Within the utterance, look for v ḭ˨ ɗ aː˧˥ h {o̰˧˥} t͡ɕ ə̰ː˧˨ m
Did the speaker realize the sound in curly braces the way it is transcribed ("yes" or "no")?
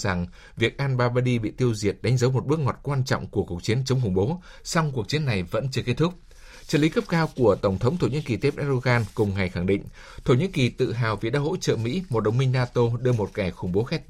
yes